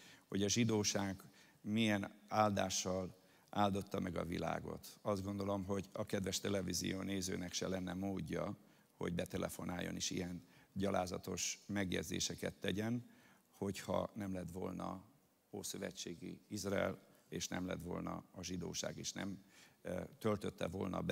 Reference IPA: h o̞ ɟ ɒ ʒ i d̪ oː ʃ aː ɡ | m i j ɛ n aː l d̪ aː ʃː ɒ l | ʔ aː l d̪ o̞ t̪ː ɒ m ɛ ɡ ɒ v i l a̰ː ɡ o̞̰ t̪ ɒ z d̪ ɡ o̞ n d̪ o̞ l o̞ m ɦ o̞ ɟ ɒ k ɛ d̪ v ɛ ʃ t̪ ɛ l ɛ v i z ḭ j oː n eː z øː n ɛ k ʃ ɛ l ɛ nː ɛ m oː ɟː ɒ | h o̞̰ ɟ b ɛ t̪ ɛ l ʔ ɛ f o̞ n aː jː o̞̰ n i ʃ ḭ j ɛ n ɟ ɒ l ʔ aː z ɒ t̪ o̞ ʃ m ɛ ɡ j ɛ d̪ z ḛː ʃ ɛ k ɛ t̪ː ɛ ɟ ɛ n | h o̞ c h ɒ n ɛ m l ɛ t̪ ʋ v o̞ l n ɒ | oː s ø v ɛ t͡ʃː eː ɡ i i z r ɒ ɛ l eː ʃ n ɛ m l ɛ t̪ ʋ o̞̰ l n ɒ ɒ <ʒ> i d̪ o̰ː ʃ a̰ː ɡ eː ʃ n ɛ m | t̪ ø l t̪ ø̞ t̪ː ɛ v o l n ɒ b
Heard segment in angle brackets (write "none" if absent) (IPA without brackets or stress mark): ʒ